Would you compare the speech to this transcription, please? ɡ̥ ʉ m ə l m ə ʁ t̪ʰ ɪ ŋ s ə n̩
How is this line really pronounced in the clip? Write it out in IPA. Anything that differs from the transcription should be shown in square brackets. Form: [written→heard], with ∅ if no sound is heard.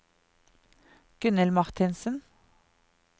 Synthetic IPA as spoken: ɡ̥ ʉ [m→n] ə l m [ə→ɑ] ʁ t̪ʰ ɪ [ŋ→n] s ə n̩